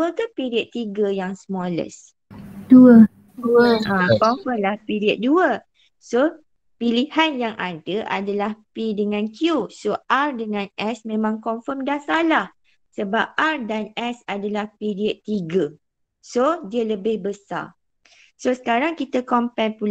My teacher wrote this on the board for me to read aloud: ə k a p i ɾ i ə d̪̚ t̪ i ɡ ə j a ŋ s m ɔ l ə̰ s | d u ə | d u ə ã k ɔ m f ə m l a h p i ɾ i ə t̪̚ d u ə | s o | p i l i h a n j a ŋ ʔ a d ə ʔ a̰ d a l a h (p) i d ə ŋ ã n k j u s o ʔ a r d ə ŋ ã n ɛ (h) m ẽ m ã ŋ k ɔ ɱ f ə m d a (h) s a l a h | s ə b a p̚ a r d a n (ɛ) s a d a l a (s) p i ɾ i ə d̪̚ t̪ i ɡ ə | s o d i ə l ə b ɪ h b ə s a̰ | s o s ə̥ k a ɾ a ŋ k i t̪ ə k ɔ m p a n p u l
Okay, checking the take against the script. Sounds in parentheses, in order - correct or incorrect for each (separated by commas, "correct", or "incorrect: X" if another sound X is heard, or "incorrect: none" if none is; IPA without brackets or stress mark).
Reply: correct, incorrect: s, correct, correct, incorrect: h